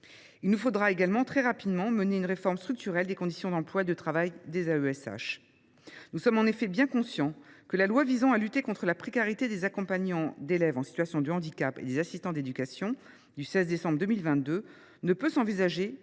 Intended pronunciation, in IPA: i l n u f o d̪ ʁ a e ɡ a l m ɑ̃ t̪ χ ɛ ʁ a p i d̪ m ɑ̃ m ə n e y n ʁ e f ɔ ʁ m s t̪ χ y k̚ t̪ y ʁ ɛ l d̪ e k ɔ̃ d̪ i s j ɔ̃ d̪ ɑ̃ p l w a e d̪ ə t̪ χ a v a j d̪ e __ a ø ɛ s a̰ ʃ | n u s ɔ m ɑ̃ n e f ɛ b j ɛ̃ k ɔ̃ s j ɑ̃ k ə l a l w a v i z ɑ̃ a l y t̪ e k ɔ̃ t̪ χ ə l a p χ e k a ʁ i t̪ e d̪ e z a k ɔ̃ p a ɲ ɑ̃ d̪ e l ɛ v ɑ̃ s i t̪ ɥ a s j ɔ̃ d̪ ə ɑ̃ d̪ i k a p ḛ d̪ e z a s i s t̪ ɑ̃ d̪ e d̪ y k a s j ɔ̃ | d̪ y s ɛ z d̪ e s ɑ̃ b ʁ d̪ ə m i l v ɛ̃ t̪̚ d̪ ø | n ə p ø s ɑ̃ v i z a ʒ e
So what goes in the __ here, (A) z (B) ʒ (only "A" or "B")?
A